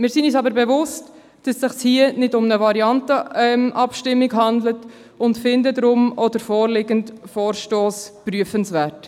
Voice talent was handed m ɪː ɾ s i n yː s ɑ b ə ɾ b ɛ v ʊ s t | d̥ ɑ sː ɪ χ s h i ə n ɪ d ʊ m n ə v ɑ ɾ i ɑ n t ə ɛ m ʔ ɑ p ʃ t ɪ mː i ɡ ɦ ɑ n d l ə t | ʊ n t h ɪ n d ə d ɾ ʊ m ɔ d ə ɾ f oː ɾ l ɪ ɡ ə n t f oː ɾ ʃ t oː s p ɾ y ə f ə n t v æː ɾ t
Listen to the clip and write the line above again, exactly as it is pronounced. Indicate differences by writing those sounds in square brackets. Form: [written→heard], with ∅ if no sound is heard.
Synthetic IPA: m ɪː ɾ s i n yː s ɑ b ə ɾ b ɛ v ʊ s t | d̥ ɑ sː ɪ χ s h i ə n ɪ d ʊ m n ə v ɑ ɾ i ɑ n t ə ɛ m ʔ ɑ p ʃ t ɪ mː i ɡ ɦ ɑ n d l ə t | ʊ n t [h→f] ɪ n d ə d ɾ ʊ m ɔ d ə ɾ f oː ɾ l ɪ ɡ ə n t f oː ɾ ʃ t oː s p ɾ y ə f ə n [t→s] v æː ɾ t